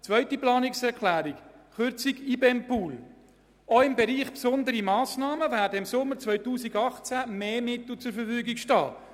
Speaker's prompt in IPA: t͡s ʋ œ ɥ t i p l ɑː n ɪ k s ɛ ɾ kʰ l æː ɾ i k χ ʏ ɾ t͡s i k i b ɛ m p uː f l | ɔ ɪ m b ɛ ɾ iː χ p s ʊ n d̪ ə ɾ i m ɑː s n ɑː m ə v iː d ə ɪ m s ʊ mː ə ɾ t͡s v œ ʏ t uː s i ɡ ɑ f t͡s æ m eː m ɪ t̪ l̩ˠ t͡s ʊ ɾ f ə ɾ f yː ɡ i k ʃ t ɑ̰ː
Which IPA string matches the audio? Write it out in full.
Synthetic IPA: t͡s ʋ œ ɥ t i p l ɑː n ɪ k s ɛ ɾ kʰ l æː ɾ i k χ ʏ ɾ t͡s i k i b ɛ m p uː l | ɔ ɪ m b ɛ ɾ iː χ p s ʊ n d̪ ə ɾ i m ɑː s n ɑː m ə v æː d ə ɪ m s ʊ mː ə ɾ t͡s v œ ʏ t uː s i ɡ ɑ χ t͡s æ m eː m ɪ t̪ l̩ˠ t͡s ʊ ɾ f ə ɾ f yː ɡ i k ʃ t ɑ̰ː